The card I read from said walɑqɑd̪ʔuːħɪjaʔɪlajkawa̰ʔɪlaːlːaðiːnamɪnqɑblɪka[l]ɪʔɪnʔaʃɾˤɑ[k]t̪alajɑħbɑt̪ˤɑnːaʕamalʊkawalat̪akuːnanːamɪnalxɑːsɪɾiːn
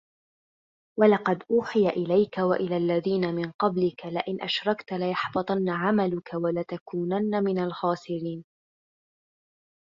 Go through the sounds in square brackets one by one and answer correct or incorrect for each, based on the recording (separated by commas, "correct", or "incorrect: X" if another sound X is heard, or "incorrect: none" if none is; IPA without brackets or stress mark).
correct, correct